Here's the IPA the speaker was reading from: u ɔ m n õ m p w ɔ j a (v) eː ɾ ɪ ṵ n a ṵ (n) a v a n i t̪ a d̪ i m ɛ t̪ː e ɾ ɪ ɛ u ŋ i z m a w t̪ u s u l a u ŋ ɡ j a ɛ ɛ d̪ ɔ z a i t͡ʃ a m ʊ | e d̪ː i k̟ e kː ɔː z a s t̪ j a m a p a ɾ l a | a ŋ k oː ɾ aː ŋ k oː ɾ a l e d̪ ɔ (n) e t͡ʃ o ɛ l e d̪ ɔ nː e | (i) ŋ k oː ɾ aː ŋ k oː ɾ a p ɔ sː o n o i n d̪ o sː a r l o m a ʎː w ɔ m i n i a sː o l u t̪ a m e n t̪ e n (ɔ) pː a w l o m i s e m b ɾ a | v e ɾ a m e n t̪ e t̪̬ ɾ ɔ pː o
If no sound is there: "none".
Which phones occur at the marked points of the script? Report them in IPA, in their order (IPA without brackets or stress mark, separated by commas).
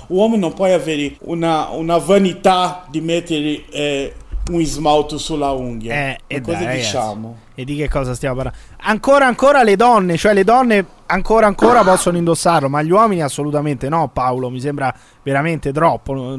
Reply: v, n, nː, a, ɔ